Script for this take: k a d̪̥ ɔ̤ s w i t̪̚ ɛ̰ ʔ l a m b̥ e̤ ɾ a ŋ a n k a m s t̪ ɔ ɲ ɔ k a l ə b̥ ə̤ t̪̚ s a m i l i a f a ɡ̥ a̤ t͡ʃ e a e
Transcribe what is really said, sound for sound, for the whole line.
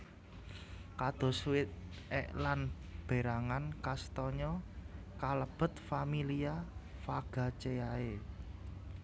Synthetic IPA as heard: k a d̪̥ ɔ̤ s w ɪ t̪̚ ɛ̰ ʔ l a n b̥ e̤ ɾ a ŋ a n k a s t̪ ɔ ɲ ɔ k a l ə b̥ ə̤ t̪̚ f a m i l i a f a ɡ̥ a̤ t͡ʃ e a e